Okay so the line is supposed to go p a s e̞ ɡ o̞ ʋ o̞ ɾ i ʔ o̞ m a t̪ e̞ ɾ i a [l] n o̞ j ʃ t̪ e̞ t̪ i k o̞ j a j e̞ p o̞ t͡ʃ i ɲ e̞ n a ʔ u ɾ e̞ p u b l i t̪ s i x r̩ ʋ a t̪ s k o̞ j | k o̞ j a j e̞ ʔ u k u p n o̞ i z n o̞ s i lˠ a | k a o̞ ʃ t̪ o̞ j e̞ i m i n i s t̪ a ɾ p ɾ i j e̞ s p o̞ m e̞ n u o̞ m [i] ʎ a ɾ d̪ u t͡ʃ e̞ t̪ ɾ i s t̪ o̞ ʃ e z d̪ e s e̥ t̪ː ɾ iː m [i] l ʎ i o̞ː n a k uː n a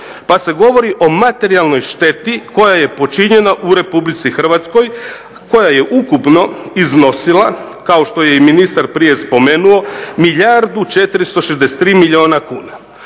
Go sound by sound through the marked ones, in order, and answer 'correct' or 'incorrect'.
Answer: correct, correct, correct

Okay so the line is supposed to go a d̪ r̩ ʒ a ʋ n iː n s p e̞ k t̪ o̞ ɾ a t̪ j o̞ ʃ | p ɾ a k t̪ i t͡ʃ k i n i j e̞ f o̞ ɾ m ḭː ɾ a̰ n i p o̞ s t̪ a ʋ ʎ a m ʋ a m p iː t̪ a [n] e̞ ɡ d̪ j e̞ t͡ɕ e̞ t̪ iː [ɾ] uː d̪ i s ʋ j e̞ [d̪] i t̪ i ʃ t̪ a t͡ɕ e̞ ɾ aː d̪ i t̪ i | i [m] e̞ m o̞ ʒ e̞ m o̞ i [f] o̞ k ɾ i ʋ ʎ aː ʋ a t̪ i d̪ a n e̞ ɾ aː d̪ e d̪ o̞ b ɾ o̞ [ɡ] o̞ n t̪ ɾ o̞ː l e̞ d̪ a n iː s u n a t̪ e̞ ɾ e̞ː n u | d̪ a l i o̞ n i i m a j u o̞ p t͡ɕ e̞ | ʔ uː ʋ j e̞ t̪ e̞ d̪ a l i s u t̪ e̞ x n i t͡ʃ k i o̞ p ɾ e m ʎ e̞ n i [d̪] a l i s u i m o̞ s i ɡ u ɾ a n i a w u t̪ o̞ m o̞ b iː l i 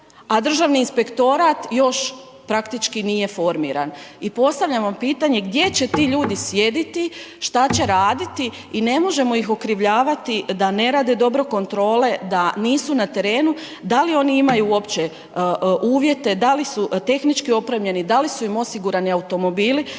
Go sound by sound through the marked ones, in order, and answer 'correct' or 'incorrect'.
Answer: incorrect: ɲ, incorrect: ʎ, correct, incorrect: n, incorrect: x, incorrect: k, correct

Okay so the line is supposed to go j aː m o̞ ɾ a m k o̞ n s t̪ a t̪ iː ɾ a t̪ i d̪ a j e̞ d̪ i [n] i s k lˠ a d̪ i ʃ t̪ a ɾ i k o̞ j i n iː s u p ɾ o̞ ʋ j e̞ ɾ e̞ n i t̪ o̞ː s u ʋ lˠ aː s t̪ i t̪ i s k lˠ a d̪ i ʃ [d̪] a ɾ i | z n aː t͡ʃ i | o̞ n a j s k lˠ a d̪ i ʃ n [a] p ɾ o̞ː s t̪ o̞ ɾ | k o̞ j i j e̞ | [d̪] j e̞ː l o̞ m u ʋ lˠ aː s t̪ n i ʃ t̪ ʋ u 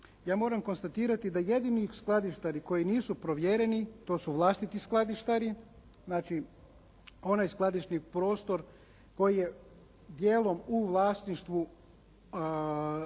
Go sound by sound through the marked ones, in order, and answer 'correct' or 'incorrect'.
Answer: correct, incorrect: t̪, incorrect: i, correct

